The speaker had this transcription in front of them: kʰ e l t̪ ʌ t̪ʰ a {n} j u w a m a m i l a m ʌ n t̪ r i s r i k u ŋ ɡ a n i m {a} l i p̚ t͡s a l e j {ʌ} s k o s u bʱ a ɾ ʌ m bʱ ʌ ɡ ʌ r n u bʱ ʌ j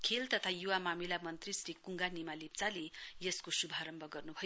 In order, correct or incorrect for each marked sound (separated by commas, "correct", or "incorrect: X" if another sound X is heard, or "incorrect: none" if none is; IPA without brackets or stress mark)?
incorrect: none, correct, correct